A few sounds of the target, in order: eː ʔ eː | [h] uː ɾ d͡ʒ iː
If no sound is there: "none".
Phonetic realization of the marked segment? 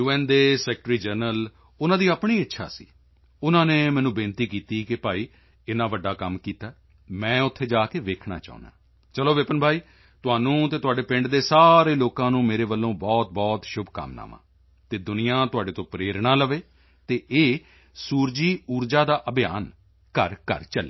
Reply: s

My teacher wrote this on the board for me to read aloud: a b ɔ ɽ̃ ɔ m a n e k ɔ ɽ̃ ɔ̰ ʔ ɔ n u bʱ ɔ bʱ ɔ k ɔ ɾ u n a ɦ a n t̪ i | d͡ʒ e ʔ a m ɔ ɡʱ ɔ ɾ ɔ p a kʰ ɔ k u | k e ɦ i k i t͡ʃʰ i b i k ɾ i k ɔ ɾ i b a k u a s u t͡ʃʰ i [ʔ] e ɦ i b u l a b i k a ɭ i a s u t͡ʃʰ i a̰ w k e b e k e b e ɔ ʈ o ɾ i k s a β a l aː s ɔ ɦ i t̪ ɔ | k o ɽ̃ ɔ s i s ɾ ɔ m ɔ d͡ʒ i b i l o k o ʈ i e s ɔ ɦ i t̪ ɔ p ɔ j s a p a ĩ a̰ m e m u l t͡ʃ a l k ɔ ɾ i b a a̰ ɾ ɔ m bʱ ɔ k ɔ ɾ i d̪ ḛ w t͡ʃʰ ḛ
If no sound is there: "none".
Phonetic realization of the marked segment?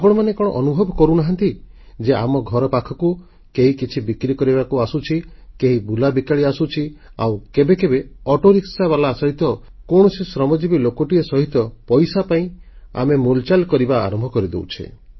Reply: k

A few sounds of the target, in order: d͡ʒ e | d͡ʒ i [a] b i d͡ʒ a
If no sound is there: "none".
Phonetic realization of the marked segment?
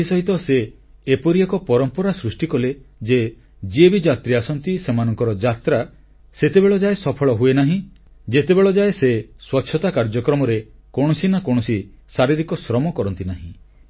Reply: e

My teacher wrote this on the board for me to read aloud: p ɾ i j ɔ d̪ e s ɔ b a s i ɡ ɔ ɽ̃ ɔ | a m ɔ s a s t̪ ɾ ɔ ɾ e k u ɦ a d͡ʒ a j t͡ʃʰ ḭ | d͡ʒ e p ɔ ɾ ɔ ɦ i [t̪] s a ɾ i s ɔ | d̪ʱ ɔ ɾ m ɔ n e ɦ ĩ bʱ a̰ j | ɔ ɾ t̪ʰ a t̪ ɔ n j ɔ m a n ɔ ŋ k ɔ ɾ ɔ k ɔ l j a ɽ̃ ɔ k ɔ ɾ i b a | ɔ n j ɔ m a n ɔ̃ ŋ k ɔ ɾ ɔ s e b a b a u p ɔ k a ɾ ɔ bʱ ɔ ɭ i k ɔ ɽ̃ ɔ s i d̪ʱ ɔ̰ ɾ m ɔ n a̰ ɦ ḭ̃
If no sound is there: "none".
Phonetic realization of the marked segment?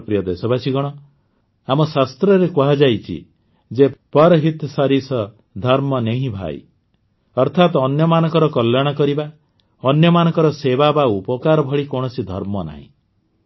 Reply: t̪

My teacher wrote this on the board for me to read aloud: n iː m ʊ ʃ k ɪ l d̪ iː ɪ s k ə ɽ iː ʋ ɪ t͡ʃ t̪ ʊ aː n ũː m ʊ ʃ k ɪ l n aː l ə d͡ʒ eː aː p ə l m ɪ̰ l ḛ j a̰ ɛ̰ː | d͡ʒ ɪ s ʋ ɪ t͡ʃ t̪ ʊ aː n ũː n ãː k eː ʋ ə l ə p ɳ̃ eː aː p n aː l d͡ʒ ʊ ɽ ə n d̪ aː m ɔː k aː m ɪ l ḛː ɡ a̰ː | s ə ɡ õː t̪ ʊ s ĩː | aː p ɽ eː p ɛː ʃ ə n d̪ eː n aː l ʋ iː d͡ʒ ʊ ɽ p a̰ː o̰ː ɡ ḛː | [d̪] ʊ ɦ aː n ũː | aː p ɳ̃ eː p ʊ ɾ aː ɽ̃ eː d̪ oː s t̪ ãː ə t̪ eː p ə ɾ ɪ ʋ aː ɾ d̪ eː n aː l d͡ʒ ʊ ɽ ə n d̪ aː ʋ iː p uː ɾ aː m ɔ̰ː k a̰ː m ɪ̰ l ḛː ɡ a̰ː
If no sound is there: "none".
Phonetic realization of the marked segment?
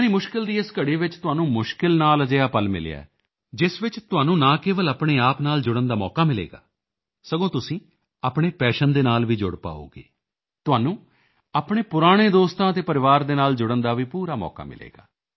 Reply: t̪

